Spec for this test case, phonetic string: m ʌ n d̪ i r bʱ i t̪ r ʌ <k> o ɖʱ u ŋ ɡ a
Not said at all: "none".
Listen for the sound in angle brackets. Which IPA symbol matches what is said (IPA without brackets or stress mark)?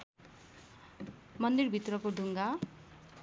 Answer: k